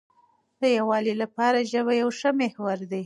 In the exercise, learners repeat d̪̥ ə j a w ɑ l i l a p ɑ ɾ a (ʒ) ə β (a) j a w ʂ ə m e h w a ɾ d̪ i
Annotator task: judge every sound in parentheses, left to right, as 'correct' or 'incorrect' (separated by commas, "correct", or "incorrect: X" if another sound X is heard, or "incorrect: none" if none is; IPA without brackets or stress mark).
correct, correct